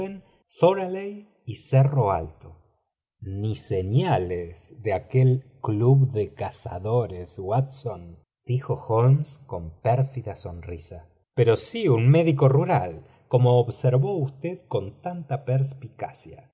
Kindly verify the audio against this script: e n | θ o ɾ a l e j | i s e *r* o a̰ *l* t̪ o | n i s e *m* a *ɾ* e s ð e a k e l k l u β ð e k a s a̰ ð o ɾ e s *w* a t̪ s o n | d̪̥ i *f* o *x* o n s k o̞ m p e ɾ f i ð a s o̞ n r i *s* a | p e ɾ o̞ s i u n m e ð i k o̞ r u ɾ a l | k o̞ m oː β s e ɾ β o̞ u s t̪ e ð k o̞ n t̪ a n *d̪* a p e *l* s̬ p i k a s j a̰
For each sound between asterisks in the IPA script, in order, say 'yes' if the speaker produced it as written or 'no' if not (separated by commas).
yes, yes, no, no, yes, no, yes, yes, no, no